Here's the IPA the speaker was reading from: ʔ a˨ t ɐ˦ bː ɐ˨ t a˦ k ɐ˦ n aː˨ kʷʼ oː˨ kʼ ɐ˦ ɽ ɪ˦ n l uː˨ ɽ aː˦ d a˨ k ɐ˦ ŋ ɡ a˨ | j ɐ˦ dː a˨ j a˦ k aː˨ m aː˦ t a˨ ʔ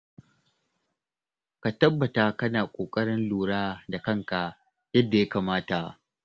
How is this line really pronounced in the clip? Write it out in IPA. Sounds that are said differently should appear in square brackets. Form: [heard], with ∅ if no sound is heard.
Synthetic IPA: [k] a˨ t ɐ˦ bː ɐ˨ t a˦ k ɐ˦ n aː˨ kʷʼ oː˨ kʼ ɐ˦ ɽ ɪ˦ n l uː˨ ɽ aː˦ d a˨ k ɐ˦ ŋ [k] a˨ | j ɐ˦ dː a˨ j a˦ k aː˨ m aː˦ t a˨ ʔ

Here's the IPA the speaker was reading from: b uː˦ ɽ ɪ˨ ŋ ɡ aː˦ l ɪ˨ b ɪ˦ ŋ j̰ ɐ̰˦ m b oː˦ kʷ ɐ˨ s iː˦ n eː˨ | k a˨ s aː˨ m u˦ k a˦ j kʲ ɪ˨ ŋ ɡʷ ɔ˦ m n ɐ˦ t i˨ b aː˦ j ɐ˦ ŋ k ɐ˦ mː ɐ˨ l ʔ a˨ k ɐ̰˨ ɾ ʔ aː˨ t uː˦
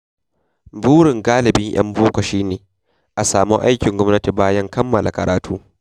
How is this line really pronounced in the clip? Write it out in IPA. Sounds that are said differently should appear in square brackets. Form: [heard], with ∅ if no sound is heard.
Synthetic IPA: b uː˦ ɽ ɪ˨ ŋ ɡ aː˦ l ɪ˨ b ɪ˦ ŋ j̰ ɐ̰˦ m b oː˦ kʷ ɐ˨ [ʃ] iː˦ n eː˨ | [ʔ] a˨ s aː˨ m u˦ [ʔ] a˦ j kʲ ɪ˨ ŋ ɡʷ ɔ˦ m n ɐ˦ t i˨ b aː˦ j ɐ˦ ŋ k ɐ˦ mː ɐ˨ l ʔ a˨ k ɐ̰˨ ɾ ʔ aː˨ t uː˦

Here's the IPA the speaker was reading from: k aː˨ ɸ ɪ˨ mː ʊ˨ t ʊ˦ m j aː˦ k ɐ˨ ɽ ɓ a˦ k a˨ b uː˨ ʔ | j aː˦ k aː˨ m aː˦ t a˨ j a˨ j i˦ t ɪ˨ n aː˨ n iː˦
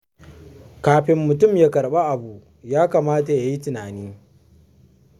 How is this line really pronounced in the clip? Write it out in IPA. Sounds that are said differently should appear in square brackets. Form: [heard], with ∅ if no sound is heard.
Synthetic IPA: k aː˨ ɸ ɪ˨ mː ʊ˨ t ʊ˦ m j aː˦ k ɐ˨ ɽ ɓ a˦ [ʔ] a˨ b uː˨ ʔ | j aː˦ k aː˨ m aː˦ t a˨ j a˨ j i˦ t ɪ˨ n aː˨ n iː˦

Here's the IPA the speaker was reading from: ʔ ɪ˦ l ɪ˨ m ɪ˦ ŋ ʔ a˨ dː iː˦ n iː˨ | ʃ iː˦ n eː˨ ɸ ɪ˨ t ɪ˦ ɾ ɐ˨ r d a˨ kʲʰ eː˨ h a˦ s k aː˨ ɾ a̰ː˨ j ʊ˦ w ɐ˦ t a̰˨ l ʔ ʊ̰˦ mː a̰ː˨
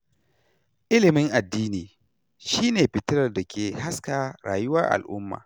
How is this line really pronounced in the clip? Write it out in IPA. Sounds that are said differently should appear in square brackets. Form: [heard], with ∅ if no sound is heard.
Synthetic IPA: ʔ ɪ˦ l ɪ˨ m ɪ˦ ŋ ʔ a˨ dː iː˦ n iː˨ | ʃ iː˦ n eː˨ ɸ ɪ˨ t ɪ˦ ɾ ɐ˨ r d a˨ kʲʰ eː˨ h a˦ s k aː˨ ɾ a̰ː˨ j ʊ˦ w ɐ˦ [ʔ] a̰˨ l ʔ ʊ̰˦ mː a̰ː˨

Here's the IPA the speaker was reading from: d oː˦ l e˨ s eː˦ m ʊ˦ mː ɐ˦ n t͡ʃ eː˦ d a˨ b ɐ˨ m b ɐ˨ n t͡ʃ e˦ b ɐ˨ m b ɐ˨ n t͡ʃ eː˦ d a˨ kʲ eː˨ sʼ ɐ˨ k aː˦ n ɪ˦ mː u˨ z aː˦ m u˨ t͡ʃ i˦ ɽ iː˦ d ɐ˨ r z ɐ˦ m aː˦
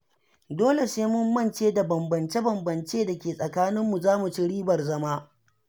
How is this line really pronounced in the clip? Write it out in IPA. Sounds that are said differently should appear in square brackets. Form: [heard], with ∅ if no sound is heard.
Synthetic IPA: d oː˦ l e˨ s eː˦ m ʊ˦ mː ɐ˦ n t͡ʃ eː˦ d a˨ b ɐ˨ m b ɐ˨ n t͡ʃ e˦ b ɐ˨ m b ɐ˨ n t͡ʃ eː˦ d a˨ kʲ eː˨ sʼ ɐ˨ k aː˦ n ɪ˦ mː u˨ z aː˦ m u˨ t͡ʃ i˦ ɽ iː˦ [b] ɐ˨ r z ɐ˦ m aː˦

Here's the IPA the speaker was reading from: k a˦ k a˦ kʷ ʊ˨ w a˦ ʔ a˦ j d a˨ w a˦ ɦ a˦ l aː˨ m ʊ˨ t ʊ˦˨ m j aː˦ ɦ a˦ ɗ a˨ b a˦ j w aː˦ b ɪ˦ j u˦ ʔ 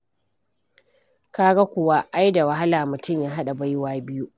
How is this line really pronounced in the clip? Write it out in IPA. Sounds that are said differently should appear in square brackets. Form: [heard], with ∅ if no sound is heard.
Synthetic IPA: k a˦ [ɡ] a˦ kʷ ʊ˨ w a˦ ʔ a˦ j d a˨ w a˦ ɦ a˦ l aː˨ m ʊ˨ t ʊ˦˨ m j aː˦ ɦ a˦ ɗ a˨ b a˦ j w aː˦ b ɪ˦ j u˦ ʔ

